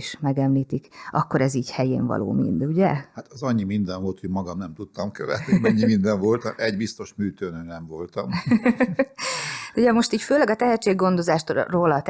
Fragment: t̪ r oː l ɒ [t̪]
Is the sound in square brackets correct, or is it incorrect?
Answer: correct